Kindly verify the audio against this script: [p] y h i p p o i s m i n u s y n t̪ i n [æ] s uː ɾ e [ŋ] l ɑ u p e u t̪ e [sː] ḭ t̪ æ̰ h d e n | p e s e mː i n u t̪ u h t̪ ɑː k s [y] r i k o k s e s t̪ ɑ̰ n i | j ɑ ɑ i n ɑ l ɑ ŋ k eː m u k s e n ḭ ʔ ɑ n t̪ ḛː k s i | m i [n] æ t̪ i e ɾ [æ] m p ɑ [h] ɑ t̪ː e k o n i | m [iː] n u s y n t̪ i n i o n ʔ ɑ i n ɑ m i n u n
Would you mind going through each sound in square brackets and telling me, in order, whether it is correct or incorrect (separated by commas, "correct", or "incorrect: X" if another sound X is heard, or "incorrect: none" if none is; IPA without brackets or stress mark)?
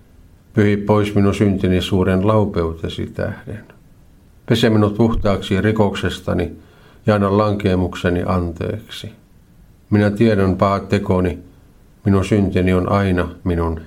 correct, incorrect: i, incorrect: n, incorrect: s, incorrect: i, correct, correct, correct, incorrect: i